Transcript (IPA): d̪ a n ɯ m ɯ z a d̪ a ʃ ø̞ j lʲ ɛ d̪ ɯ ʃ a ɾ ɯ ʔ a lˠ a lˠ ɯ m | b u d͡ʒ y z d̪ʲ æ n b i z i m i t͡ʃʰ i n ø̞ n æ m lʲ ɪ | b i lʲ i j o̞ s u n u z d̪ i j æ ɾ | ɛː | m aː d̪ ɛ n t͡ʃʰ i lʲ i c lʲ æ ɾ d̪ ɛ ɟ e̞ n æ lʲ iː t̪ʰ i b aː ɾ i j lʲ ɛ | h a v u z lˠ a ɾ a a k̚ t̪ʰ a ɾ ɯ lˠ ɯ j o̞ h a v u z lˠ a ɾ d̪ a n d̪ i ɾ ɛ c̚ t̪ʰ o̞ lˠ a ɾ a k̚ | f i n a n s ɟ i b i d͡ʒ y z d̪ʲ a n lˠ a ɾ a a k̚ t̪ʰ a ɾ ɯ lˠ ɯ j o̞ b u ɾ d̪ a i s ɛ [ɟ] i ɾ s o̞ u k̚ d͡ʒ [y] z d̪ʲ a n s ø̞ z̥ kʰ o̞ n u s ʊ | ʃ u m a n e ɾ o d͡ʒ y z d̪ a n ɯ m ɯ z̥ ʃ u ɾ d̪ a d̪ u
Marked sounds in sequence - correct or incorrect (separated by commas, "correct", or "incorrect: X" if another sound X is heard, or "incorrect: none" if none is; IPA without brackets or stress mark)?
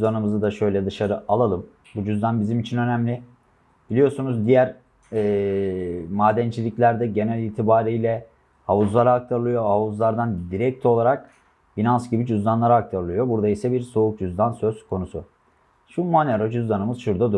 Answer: incorrect: b, correct